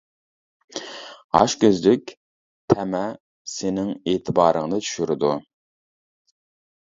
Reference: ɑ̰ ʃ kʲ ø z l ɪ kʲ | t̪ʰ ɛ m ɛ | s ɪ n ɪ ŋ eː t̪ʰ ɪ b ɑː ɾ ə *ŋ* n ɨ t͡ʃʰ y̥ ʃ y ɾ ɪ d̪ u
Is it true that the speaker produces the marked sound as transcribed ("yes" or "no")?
yes